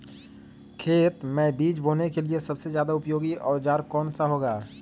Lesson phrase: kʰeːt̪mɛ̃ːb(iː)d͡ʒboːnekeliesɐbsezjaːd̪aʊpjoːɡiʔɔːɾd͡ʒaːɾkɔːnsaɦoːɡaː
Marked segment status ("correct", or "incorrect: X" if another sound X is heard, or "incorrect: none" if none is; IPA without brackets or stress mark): correct